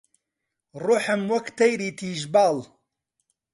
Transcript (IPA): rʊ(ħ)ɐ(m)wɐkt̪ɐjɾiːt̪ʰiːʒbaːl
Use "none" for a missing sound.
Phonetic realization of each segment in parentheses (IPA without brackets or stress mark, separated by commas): ħ, m